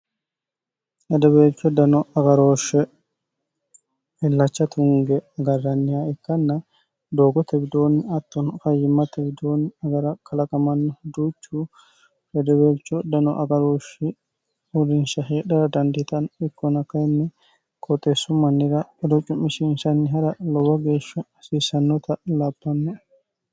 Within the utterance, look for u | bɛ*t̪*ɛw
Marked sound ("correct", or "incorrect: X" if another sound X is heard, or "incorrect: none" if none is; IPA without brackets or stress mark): incorrect: d̪